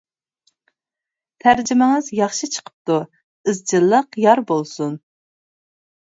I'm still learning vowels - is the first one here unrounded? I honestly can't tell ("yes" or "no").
yes